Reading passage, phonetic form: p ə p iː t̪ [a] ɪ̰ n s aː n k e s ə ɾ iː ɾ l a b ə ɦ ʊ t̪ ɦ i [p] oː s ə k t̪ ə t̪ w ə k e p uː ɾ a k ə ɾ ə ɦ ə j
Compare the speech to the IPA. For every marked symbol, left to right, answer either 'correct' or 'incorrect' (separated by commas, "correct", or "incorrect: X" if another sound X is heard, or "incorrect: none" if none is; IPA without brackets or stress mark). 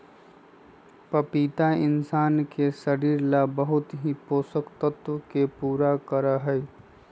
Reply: correct, correct